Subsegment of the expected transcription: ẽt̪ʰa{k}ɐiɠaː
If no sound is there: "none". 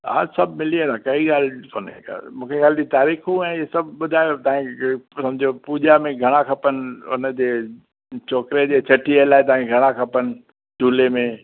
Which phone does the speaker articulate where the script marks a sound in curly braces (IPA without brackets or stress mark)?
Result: k